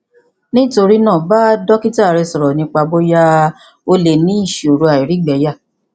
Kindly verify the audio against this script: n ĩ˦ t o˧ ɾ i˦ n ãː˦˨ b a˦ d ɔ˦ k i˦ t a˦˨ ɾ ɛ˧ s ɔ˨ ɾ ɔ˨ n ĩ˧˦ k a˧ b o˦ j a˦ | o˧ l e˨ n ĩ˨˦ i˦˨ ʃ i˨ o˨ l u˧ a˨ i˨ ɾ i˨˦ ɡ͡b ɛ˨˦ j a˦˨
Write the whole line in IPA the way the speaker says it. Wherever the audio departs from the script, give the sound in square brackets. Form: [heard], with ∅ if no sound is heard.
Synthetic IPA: n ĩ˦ t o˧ ɾ i˦ n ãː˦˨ b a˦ d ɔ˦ k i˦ t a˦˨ ɾ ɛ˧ s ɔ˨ ɾ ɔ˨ n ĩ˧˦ [k͡p] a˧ b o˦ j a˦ | o˧ l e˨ n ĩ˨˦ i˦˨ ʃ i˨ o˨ [ɾ] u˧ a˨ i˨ ɾ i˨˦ ɡ͡b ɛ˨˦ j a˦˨